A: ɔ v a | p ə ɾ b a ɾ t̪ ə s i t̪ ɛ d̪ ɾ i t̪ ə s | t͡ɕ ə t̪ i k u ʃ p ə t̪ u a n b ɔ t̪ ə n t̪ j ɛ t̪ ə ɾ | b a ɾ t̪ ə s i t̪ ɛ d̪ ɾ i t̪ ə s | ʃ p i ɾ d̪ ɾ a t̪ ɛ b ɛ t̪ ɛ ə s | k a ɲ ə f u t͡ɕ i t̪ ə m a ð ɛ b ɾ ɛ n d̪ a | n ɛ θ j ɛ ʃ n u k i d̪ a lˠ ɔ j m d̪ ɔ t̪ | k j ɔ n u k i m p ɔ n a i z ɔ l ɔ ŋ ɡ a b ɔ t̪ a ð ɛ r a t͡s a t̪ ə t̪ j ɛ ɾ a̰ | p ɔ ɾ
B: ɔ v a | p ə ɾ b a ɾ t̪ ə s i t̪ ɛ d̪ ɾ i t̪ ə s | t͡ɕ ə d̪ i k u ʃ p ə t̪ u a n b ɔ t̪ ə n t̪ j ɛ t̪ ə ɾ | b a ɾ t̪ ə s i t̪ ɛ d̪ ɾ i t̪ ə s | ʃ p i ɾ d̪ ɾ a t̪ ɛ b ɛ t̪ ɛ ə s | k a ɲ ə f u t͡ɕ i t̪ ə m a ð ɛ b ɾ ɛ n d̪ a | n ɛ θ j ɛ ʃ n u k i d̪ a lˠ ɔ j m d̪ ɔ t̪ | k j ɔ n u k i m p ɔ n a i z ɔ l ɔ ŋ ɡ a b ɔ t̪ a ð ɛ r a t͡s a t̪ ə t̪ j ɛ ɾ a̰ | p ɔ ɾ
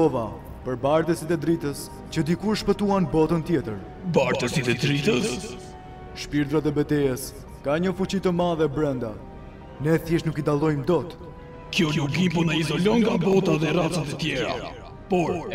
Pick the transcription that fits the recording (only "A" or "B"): B